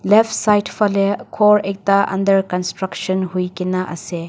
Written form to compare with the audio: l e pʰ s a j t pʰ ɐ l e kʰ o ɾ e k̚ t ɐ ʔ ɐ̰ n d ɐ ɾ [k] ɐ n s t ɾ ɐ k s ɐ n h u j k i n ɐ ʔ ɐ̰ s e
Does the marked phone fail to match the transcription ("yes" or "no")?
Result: no